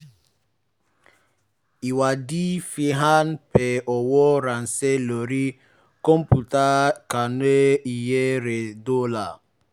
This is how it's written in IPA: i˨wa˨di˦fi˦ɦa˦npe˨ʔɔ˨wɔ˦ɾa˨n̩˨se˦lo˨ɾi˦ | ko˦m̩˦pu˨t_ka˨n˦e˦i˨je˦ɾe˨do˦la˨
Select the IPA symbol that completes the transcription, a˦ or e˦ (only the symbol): a˦